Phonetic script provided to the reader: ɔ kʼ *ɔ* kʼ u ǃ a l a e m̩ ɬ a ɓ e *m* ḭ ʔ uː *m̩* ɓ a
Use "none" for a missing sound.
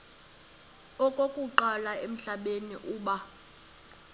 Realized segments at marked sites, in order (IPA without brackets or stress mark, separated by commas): o, n, none